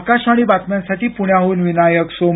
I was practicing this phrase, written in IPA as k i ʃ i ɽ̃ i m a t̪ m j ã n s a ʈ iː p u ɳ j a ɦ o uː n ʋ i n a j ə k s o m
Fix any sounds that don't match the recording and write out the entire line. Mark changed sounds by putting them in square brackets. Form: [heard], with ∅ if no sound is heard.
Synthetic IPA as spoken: k [a] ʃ [a] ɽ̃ i [b] a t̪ m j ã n s a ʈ iː p u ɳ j a ɦ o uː n ʋ i n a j ə k s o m